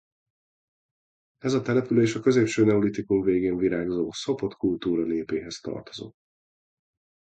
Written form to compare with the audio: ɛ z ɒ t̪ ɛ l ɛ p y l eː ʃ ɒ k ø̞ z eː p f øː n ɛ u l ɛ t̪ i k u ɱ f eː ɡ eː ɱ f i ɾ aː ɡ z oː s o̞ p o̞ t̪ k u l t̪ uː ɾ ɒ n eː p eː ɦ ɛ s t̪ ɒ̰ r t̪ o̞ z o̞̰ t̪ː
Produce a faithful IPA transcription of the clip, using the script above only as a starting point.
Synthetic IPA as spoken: ɛ z ɒ t̪ ɛ l ɛ p y l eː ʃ ɒ k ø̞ z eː p ʃ øː n ɛ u l i t̪ i k u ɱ v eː ɡ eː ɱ v i ɾ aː ɡ z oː s o̞ p o̞ t̪ k u l t̪ uː ɾ ɒ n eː p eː ɦ ɛ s t̪ ɒ̰ r t̪ o̞ z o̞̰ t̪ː

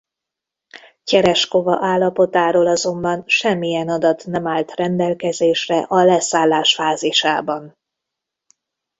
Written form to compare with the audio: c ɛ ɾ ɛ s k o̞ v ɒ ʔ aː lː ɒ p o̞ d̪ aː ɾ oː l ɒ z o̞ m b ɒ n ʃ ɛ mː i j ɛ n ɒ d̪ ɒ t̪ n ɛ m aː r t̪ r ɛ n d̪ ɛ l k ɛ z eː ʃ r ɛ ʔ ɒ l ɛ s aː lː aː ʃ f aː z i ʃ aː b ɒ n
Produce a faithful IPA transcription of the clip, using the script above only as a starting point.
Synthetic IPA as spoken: c ɛ ɾ ɛ ʃ k o̞ v ɒ ʔ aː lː ɒ p o̞ t̪ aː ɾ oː l ɒ z o̞ m b ɒ n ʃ ɛ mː i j ɛ n ɒ d̪ ɒ t̪ n ɛ m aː l t̪ r ɛ n d̪ ɛ l k ɛ z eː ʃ r ɛ ʔ ɒ l ɛ s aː lː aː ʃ f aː z i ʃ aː b ɒ n

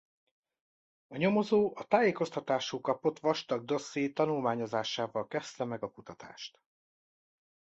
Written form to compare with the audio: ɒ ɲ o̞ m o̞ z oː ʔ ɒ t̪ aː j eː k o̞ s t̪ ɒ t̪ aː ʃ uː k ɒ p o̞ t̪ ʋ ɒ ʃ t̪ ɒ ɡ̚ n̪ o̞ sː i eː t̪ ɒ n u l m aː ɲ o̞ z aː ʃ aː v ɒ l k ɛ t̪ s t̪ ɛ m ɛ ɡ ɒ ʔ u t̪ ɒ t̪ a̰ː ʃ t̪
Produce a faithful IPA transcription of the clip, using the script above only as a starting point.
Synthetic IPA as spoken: ɒ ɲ o̞ m o̞ z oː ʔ ɒ t̪ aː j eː k o̞ s t̪ ɒ t̪ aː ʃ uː k ɒ p o̞ t̪ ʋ ɒ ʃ t̪ ɒ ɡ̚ d̪ o̞ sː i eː t̪ ɒ n u l m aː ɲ o̞ z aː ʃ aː v ɒ l k ɛ s t̪ ɛ m ɛ ɡ ɒ k u t̪ ɒ t̪ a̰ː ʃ t̪

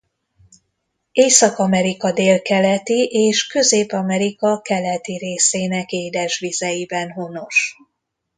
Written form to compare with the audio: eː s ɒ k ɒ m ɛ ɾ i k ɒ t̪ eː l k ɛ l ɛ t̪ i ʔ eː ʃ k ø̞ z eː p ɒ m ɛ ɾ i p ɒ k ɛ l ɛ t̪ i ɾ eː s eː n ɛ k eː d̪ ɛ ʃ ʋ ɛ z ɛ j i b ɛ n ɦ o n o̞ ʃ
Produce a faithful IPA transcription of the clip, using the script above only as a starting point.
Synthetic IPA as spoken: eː s ɒ k ɒ m ɛ ɾ i k ɒ d̪ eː l k ɛ l ɛ t̪ i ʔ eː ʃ k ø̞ z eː p ɒ m ɛ ɾ i k ɒ k ɛ l ɛ t̪ i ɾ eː s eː n ɛ k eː d̪ ɛ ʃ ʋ i z ɛ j i b ɛ n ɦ o n o̞ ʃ

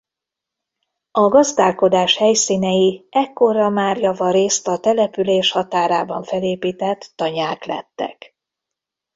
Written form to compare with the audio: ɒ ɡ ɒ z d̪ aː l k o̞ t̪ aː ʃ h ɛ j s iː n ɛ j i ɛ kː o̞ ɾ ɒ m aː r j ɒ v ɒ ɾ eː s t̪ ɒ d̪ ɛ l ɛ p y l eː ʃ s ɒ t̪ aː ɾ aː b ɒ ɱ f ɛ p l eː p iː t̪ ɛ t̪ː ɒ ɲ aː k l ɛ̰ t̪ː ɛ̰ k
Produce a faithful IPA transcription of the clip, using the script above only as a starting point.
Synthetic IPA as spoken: ɒ ɡ ɒ z d̪ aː l k o̞ d̪ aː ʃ h ɛ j s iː n ɛ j i ɛ kː o̞ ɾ ɒ m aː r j ɒ v ɒ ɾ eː s t̪ ɒ t̪ ɛ l ɛ p y l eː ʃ h ɒ t̪ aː ɾ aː b ɒ ɱ f ɛ l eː p iː t̪ ɛ t̪ː ɒ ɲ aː k l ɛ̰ t̪ː ɛ̰ k

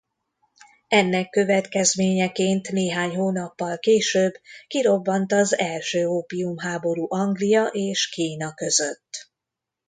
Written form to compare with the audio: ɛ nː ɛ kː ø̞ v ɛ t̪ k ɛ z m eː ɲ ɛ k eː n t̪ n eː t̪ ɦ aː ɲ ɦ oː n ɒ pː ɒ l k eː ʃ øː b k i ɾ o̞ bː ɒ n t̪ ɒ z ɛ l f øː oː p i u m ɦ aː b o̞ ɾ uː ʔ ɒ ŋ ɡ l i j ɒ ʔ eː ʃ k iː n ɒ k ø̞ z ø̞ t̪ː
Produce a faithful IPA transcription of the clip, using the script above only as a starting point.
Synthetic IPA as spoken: ɛ nː ɛ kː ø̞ v ɛ t̪ k ɛ z m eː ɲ ɛ k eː n t̪ n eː ɦ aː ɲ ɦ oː n ɒ pː ɒ l k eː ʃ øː b k i ɾ o̞ bː ɒ n t̪ ɒ z ɛ l ʃ øː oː p i u m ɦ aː b o̞ ɾ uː ʔ ɒ ŋ ɡ l i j ɒ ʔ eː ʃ k iː n ɒ k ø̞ z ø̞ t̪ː

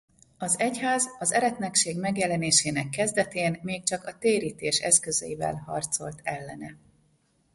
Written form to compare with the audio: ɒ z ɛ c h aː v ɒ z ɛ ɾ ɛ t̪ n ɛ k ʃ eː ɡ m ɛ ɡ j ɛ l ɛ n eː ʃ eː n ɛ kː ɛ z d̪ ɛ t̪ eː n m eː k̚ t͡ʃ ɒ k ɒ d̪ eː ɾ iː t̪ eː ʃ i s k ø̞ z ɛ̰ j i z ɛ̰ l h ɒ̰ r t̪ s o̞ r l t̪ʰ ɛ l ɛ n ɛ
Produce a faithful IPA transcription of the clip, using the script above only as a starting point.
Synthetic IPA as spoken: ɒ z ɛ c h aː z ɒ z ɛ ɾ ɛ t̪ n ɛ k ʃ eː ɡ m ɛ ɡ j ɛ l ɛ n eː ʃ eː n ɛ kː ɛ z d̪ ɛ t̪ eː n m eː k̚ t͡ʃ ɒ k ɒ t̪ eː ɾ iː t̪ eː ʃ ɛ s k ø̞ z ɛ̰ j i v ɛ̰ l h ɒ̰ r t̪ s o̞ l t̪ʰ ɛ lː ɛ n ɛ

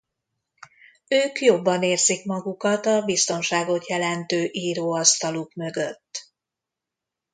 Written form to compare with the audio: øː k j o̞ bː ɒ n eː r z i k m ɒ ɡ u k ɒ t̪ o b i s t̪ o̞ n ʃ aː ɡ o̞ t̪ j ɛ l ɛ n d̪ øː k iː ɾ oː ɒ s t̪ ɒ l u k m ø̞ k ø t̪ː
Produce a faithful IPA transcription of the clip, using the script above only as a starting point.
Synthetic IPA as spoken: øː k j o̞ bː ɒ n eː r z i k m ɒ ɡ u k ɒ t̪ ɒ b i s t̪ o̞ n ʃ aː ɡ o̞ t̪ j ɛ l ɛ n t̪ øː ʔ iː ɾ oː ɒ s t̪ ɒ l u k m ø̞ ɡ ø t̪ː

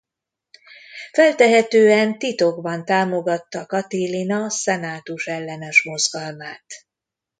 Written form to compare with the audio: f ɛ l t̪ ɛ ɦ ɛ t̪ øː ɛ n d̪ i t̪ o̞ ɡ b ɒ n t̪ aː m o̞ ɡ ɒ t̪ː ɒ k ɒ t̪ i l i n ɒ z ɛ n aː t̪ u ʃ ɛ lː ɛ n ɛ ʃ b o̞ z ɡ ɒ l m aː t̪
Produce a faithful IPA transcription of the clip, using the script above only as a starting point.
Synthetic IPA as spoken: f ɛ l t̪ ɛ ɦ ɛ t̪ øː ɛ n t̪ i t̪ o̞ ɡ b ɒ n t̪ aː m o̞ ɡ ɒ t̪ː ɒ k ɒ t̪ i l i n ɒ s ɛ n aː t̪ u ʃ ɛ lː ɛ n ɛ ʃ m o̞ z ɡ ɒ l m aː t̪

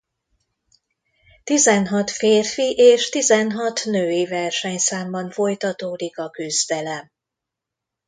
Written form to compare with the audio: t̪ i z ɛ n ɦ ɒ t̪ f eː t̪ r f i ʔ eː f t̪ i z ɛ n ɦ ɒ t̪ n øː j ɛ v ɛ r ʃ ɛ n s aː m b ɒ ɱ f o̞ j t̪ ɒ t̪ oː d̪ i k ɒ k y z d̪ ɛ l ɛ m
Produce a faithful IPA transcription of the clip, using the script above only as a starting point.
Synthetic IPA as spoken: t̪ i z ɛ n ɦ ɒ t̪ f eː r f i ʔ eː ʃ t̪ i z ɛ n ɦ ɒ t̪ n øː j i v ɛ r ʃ ɛ ɲ s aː m b ɒ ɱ f o̞ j t̪ ɒ t̪ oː d̪ i k ɒ k y z d̪ ɛ l ɛ m

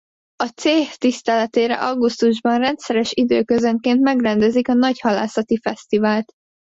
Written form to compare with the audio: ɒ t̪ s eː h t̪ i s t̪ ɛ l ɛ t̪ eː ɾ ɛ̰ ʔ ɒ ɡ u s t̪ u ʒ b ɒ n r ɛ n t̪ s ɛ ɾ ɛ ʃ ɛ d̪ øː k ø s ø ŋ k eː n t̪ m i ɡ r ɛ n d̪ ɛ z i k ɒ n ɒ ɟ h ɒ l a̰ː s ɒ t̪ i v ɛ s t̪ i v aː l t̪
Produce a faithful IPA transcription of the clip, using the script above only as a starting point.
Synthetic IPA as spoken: ɒ t̪ s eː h t̪ i s t̪ ɛ l ɛ t̪ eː ɾ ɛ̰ ʔ ɒ ɡ u s t̪ u ʒ b ɒ n r ɛ n t̪ s ɛ ɾ ɛ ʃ i d̪ øː k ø z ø ŋ k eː n t̪ m ɛ ɡ r ɛ n d̪ ɛ z i k ɒ n ɒ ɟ h ɒ l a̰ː s ɒ t̪ i f ɛ s t̪ i v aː l t̪

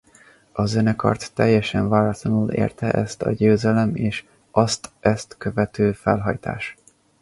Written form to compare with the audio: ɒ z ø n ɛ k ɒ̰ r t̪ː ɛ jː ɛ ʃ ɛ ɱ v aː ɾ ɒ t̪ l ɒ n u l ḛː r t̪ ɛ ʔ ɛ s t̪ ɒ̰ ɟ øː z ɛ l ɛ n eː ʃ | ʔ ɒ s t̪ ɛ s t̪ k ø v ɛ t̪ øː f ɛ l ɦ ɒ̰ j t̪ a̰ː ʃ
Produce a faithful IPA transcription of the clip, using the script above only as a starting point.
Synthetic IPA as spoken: ɒ z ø n ɛ k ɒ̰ r t̪ː ɛ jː ɛ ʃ ɛ ɱ v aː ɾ ɒ t̪ l ɒ n u l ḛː r t̪ ɛ ʔ ɛ s t̪ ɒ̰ ɟ øː z ɛ l ɛ m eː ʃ | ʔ ɒ s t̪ ɛ s t̪ k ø v ɛ t̪ øː f ɛ l ɦ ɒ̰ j t̪ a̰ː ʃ

